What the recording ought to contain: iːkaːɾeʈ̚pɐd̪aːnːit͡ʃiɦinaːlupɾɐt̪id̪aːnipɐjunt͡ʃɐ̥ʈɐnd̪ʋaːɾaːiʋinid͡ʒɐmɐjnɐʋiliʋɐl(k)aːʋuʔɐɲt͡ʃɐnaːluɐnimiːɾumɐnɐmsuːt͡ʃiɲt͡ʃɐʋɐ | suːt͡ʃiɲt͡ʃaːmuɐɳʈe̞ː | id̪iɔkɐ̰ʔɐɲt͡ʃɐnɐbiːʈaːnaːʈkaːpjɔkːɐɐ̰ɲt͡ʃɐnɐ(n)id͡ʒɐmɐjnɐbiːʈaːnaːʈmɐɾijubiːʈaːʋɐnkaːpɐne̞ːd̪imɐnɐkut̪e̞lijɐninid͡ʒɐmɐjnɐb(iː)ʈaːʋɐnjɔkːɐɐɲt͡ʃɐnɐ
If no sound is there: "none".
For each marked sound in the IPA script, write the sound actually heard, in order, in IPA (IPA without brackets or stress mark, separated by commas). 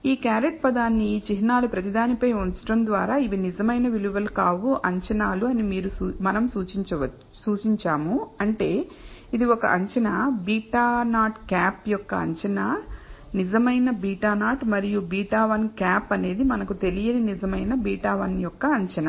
k, n, iː